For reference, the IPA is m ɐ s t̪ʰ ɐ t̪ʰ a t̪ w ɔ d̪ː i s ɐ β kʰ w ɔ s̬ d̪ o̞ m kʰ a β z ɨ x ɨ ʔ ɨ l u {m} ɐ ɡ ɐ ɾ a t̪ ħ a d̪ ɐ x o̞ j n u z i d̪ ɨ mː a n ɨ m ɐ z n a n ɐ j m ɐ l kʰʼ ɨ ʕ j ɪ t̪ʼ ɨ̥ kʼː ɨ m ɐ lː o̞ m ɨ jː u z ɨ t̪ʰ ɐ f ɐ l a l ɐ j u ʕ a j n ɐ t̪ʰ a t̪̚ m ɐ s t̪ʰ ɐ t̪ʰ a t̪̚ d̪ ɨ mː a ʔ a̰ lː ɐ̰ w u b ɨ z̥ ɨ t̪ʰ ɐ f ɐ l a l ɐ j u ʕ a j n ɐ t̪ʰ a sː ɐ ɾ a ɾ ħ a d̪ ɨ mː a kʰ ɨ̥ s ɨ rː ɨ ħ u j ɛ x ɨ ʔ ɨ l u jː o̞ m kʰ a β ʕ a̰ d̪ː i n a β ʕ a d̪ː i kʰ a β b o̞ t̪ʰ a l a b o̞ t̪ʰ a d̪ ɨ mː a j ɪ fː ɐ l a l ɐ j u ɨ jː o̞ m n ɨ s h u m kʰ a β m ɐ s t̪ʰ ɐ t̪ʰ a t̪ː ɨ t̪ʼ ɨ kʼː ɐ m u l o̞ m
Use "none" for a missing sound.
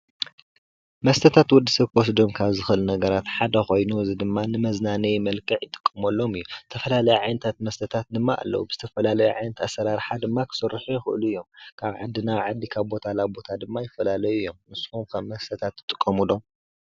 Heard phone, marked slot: n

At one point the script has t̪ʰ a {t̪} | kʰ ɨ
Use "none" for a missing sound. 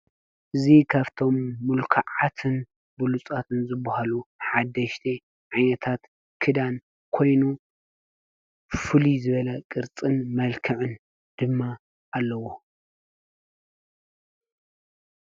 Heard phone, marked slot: t̪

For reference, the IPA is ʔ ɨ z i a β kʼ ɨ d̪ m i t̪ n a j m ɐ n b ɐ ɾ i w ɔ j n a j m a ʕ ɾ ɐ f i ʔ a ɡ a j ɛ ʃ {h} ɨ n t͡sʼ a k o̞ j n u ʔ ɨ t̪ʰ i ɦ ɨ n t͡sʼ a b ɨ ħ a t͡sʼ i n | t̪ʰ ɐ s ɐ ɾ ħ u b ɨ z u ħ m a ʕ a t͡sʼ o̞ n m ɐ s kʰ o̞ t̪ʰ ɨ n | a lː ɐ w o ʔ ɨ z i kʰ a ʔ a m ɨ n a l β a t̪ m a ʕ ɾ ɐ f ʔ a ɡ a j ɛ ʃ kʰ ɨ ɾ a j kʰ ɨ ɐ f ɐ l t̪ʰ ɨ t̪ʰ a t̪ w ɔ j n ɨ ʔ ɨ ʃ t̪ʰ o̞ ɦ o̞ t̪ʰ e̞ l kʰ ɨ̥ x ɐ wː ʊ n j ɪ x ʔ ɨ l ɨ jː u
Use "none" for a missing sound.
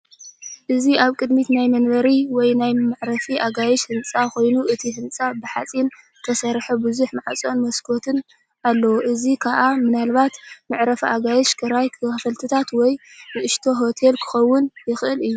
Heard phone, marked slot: h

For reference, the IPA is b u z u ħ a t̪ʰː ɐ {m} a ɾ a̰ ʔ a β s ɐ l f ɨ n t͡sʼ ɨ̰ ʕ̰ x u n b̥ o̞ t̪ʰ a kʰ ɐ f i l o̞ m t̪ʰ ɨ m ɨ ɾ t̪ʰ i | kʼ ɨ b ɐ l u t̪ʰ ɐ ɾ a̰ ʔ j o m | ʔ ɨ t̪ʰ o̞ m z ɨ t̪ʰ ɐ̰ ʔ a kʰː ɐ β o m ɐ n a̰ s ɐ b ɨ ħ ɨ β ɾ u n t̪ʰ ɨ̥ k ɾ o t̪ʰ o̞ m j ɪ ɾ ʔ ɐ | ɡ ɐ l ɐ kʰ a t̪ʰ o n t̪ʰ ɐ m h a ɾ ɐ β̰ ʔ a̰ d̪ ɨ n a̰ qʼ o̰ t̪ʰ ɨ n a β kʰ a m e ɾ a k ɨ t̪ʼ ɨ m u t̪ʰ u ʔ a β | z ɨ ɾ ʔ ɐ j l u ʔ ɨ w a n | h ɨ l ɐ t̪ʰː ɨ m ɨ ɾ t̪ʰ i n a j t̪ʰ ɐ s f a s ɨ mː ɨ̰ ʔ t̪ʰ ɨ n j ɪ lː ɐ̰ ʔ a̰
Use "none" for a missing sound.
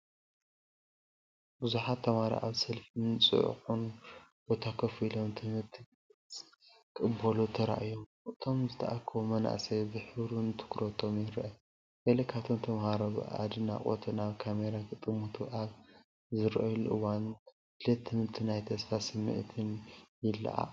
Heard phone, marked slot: m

